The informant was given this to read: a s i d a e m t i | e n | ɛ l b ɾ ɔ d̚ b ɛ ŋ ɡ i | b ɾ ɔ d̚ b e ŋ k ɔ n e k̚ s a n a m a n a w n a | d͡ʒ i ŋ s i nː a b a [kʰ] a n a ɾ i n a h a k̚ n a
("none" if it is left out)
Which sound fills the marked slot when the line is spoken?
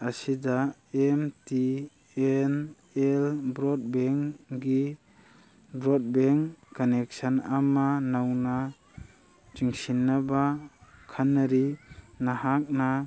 kʰ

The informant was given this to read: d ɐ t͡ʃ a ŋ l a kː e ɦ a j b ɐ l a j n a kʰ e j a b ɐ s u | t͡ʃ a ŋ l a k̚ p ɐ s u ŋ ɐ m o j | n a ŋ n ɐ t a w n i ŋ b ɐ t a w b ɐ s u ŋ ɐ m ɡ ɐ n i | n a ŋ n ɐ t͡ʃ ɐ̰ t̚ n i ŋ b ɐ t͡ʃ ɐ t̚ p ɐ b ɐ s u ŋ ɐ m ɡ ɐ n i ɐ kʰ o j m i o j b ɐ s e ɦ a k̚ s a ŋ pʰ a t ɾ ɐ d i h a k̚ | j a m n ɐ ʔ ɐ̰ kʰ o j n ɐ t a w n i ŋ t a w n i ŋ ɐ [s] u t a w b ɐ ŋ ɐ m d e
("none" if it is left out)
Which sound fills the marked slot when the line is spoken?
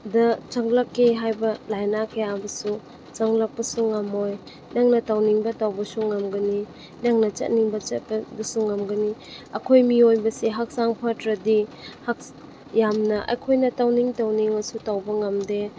s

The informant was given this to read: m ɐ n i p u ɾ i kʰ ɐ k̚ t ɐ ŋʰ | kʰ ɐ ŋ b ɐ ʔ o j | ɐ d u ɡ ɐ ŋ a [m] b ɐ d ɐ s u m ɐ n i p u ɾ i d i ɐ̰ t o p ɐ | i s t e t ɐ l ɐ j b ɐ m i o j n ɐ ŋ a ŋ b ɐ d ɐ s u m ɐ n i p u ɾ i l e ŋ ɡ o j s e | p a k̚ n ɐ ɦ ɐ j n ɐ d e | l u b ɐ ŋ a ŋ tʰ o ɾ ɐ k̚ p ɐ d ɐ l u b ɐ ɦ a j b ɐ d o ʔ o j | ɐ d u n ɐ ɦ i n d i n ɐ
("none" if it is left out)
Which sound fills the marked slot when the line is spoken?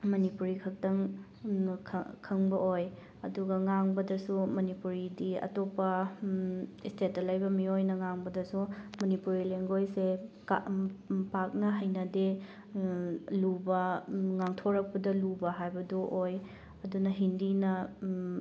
ŋ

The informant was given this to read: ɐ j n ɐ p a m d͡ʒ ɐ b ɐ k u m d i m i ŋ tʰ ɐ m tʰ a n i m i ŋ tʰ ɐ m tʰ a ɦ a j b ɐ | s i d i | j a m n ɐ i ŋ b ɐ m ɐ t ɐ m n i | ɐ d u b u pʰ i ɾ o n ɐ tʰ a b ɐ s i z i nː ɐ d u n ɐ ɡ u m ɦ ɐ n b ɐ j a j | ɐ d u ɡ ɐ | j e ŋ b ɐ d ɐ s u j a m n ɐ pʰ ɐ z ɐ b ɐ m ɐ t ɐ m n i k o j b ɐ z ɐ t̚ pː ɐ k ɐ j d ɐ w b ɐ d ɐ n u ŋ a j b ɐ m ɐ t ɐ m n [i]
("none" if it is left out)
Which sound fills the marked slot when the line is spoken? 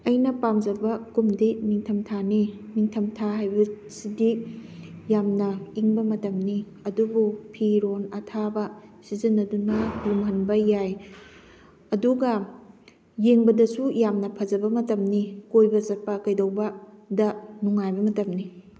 i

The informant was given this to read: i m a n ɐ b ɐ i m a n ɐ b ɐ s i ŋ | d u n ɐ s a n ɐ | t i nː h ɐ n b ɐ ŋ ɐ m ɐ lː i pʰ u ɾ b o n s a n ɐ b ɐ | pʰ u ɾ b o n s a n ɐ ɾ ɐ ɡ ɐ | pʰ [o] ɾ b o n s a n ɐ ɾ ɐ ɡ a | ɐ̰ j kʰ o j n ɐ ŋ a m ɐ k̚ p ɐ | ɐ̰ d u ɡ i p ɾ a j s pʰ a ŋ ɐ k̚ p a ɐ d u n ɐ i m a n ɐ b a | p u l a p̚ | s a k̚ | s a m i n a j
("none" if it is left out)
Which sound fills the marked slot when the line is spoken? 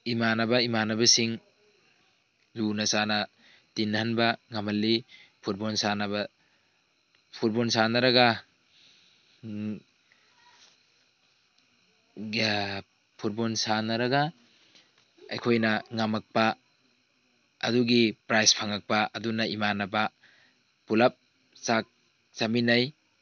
u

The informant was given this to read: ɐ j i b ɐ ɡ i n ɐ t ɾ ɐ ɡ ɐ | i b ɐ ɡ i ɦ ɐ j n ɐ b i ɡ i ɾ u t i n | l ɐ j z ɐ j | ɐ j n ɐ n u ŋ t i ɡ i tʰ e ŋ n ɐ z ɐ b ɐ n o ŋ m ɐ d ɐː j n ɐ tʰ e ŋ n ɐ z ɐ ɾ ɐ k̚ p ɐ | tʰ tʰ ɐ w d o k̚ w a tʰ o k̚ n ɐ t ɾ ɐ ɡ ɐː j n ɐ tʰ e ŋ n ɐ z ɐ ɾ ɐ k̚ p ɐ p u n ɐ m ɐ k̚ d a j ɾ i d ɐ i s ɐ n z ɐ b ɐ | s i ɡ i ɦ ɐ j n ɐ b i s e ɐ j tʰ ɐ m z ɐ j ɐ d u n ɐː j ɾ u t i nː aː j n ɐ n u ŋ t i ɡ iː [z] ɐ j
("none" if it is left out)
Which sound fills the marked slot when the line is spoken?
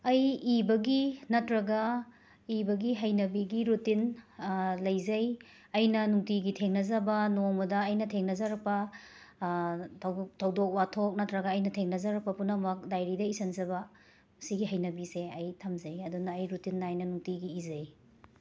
z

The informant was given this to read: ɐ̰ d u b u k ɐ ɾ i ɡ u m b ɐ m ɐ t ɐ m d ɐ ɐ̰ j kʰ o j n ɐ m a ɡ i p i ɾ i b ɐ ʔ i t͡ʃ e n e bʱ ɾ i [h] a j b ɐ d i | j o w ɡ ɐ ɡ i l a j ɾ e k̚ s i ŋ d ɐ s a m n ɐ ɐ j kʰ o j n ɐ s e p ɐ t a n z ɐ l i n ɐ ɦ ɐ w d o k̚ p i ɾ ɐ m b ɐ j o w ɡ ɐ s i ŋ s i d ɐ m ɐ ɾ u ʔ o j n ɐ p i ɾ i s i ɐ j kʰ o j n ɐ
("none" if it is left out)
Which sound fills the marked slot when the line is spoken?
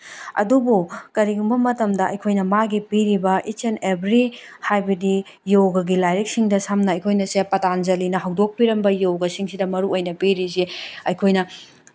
h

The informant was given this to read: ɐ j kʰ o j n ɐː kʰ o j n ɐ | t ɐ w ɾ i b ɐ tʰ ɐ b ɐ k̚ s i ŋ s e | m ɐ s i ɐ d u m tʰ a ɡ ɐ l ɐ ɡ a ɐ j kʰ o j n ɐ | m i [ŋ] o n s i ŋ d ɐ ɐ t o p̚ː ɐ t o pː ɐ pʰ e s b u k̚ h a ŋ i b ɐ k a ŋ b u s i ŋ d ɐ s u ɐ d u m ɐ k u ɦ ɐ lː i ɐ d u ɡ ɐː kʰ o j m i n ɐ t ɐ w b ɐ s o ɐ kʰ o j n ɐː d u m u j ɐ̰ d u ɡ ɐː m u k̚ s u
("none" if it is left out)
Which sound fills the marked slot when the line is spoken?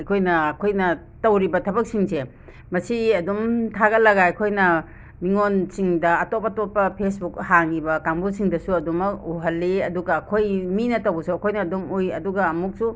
ŋ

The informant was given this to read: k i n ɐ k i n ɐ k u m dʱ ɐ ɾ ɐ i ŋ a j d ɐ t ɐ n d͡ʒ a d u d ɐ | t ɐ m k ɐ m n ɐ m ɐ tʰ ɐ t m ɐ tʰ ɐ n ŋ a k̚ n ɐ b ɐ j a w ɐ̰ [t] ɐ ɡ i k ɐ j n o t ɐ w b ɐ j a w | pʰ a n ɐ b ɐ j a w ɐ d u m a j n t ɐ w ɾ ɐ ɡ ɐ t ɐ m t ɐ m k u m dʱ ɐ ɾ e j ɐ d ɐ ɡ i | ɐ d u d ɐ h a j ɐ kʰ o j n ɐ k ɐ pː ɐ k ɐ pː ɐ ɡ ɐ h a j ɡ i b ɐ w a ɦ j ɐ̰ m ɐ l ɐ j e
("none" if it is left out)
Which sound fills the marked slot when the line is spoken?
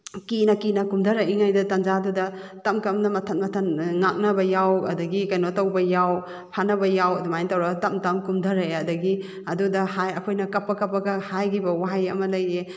d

